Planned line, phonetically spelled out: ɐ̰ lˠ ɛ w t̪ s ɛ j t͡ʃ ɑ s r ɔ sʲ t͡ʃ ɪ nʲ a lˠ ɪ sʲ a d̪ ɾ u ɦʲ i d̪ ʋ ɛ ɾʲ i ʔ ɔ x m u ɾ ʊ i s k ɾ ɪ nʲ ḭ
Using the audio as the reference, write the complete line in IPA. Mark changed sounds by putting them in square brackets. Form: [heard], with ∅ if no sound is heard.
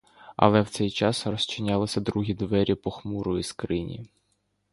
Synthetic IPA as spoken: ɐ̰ lˠ ɛ w t̪ s ɛ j t͡ʃ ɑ s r ɔ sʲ t͡ʃ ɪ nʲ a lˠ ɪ sʲ [ɐ] d̪ ɾ u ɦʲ i d̪ ʋ ɛ ɾʲ i [p] ɔ x m u ɾ ʊ i s k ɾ ɪ nʲ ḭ

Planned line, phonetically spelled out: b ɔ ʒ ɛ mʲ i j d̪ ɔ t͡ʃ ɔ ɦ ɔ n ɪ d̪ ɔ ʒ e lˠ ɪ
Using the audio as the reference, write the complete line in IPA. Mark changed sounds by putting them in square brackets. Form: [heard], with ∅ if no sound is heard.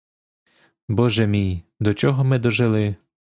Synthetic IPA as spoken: b ɔ ʒ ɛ mʲ i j d̪ ɔ t͡ʃ ɔ ɦ ɔ [m] ɪ d̪ ɔ ʒ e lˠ ɪ

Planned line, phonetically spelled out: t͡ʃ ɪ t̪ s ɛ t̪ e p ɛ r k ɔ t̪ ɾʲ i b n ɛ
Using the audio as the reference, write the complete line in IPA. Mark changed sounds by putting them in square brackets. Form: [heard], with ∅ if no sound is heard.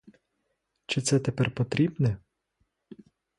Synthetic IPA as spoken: t͡ʃ ɪ t̪ s ɛ t̪ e p ɛ r [p] ɔ t̪ ɾʲ i b n ɛ

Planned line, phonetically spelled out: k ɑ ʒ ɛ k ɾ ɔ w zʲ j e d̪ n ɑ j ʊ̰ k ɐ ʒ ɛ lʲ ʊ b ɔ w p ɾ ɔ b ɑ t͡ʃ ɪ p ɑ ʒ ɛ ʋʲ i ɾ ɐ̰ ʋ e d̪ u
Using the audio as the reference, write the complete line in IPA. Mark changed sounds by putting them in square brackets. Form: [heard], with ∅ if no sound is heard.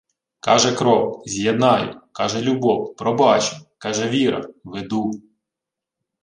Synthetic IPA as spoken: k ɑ ʒ ɛ k ɾ ɔ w zʲ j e d̪ n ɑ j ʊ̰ k [ɑ] ʒ ɛ lʲ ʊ b ɔ w p ɾ ɔ b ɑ t͡ʃ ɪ [k] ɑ ʒ ɛ ʋʲ i ɾ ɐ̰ ʋ e d̪ u

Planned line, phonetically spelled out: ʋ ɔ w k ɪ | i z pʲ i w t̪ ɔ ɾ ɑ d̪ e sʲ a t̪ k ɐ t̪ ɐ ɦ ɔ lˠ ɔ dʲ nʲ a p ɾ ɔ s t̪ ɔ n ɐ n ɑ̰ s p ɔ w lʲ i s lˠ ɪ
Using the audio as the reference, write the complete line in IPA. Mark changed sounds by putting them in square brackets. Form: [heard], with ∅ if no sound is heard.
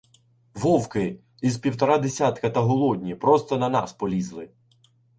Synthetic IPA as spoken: ʋ ɔ w k ɪ | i z pʲ i w t̪ ɔ ɾ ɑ d̪ e sʲ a t̪ k ɐ t̪ ɐ ɦ ɔ lˠ ɔ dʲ nʲ [i] p ɾ ɔ s t̪ ɔ n ɐ n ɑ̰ s p ɔ [∅] lʲ i [z] lˠ ɪ

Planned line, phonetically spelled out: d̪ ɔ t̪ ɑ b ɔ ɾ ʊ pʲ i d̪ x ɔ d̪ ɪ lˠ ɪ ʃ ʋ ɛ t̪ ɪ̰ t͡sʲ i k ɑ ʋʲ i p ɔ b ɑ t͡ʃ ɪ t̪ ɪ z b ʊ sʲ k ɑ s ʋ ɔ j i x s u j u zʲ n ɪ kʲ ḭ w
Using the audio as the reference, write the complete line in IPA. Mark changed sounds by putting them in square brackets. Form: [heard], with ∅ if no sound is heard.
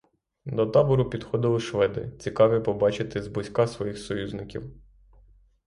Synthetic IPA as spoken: d̪ ɔ t̪ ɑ b ɔ ɾ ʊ pʲ i d̪ x ɔ d̪ ɪ lˠ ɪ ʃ ʋ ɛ [d̪] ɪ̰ t͡sʲ i k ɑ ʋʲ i p ɔ b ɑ t͡ʃ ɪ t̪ ɪ z b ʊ sʲ k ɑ s ʋ ɔ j i x s [ɔ] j u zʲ n ɪ kʲ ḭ w

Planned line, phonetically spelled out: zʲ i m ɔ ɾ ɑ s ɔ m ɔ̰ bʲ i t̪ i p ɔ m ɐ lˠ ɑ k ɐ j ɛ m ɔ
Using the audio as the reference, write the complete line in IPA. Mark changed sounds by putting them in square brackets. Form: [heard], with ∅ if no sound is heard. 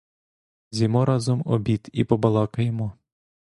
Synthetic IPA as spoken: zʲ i m ɔ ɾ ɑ [z] ɔ m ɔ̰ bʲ i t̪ i p ɔ [b] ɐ lˠ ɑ k ɐ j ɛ m ɔ

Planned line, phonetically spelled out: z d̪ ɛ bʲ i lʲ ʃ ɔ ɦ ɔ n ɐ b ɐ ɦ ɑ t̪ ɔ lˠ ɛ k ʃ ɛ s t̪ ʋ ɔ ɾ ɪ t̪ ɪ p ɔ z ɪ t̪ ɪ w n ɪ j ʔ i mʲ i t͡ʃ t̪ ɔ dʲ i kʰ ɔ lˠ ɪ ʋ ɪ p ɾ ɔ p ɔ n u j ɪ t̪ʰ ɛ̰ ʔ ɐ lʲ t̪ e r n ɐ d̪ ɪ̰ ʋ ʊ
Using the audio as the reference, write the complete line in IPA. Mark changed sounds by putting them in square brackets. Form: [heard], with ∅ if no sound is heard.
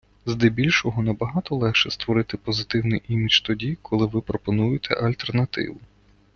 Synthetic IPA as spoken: z d̪ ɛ bʲ i lʲ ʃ ɔ ɦ ɔ n ɐ b ɐ ɦ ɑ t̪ ɔ lˠ ɛ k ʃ ɛ s t̪ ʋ ɔ ɾ ɪ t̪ ɪ p ɔ z ɪ t̪ ɪ w n ɪ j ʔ i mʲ i t͡ʃ t̪ ɔ dʲ i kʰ ɔ lˠ ɪ ʋ ɪ p ɾ ɔ p ɔ n u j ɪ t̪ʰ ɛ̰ ʔ ɐ lʲ t̪ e r n ɐ [t̪] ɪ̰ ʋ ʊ

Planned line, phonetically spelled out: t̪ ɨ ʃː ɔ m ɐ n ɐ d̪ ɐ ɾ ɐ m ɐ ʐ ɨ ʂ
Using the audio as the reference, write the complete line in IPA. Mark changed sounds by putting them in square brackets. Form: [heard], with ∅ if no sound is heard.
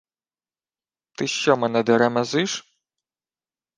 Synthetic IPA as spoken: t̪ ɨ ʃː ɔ m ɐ n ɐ d̪ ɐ ɾ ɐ m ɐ [z] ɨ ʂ

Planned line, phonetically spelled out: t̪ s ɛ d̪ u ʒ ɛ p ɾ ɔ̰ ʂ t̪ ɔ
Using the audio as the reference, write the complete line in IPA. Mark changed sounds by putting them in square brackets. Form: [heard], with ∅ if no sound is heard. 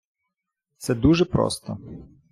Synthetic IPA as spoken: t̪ s ɛ d̪ u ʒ ɛ p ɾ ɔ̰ [s] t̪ ɔ

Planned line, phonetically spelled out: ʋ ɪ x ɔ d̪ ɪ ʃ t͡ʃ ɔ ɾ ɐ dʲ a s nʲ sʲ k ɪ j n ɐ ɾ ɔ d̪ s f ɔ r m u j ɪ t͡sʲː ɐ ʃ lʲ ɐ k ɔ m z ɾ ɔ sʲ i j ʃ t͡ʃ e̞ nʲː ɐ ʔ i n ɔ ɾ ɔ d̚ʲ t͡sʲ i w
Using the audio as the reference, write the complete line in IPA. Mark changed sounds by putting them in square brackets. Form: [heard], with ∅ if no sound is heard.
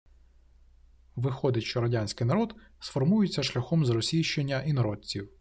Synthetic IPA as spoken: ʋ ɪ x ɔ d̪ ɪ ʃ t͡ʃ ɔ ɾ ɐ dʲ a [∅] nʲ sʲ k ɪ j n ɐ ɾ ɔ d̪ s f ɔ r m u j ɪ t͡sʲː ɐ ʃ lʲ ɐ [x] ɔ m z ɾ ɔ sʲ i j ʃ t͡ʃ e̞ nʲː ɐ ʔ i n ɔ ɾ ɔ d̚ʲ t͡sʲ i w

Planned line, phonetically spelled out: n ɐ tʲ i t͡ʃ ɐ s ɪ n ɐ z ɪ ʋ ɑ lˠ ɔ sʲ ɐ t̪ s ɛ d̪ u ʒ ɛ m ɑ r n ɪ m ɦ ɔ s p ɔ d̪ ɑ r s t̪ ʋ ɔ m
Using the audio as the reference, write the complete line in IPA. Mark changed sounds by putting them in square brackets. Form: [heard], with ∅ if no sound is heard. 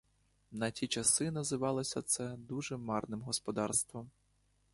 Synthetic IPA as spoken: n ɐ tʲ i t͡ʃ ɐ s ɪ n ɐ z ɪ ʋ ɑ lˠ ɔ sʲ ɐ t̪ s ɛ d̪ u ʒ ɛ m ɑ r n ɪ m ɦ ɔ s p ɔ d̪ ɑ r s t̪ ʋ ɔ m

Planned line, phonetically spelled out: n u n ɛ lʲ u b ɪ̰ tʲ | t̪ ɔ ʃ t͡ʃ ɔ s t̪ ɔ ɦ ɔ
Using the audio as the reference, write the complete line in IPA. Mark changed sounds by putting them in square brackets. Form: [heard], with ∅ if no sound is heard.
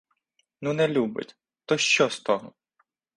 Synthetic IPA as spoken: n u n ɛ lʲ u b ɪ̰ tʲ | t̪ ɔ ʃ t͡ʃ ɔ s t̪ ɔ ɦ ɔ

